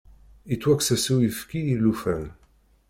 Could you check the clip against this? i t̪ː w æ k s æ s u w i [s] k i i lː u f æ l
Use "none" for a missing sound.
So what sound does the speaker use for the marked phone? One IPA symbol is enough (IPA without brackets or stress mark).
f